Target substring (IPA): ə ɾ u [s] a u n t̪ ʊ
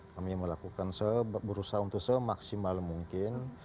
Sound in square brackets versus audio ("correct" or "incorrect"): correct